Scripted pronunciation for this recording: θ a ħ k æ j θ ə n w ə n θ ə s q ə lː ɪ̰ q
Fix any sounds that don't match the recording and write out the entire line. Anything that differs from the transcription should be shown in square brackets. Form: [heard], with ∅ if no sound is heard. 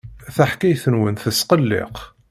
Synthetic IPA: θ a ħ k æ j θ ə n w ə n θ ə s q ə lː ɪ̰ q